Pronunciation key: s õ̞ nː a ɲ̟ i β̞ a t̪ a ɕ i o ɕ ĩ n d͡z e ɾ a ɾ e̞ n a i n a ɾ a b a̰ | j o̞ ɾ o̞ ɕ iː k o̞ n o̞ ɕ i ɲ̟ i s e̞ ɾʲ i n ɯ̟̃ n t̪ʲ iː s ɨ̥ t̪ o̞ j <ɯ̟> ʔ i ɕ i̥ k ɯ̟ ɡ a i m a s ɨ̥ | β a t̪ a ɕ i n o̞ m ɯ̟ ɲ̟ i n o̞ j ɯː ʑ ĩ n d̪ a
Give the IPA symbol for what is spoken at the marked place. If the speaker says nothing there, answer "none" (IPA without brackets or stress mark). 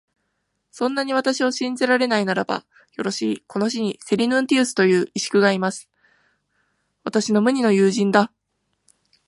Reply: ɯ̟ː